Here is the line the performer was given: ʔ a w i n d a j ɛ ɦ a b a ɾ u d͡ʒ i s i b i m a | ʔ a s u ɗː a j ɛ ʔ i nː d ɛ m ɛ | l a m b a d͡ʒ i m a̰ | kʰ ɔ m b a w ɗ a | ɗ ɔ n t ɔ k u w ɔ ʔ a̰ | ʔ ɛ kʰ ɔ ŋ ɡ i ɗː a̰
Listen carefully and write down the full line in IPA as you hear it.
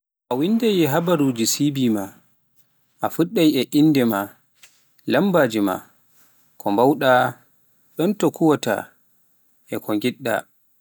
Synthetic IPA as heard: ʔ a w i n d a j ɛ ɦ a b a ɾ u d͡ʒ i s i b i m a | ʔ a f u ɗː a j ɛ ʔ i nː d ɛ m a | l a m b a d͡ʒ i m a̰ | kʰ ɔ m b a w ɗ a | ɗ ɔ n t ɔ k u w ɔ t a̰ | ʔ ɛ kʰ ɔ ŋ ɡ i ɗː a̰